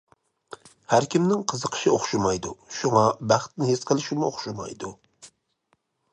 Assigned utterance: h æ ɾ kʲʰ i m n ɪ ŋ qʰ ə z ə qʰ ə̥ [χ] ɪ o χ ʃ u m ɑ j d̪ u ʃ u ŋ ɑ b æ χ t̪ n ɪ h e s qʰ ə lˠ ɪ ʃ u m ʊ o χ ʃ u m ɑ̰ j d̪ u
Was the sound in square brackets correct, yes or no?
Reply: no